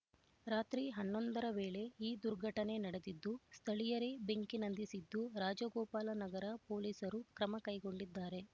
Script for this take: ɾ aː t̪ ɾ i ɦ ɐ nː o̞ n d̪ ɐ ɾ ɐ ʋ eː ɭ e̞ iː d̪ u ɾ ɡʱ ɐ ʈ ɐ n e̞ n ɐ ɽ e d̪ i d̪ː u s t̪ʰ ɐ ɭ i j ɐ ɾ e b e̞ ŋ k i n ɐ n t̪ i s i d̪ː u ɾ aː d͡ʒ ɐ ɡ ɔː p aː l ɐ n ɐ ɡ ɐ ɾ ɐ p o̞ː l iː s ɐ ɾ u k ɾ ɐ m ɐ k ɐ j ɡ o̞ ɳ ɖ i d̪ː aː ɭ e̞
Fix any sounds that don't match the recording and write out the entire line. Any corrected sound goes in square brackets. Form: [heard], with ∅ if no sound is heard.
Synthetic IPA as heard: ɾ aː t̪ ɾ i ɦ ɐ nː o̞ n d̪ ɐ ɾ ɐ ʋ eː ɭ e̞ iː d̪ u ɾ ɡʱ ɐ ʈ ɐ n e̞ n ɐ ɽ e d̪ i d̪ː u s t̪ʰ ɐ ɭ i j ɐ ɾ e b e̞ ŋ k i n ɐ n [d̪] i s i d̪ː u ɾ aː d͡ʒ ɐ ɡ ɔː p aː l ɐ n ɐ ɡ ɐ ɾ ɐ p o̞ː l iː s ɐ ɾ u k ɾ ɐ m ɐ k ɐ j ɡ o̞ ɳ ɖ i d̪ː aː [ɾ] e̞